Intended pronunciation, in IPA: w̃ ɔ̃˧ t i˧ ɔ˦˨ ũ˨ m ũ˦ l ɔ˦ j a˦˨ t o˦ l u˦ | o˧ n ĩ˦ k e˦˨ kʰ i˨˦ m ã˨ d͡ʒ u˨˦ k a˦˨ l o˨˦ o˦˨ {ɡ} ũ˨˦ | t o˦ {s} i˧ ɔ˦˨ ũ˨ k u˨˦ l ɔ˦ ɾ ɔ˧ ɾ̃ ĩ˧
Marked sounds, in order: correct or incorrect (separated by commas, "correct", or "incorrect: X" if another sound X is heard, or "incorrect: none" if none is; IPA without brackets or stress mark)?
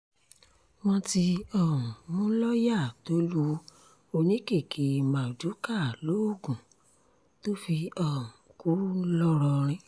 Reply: correct, incorrect: f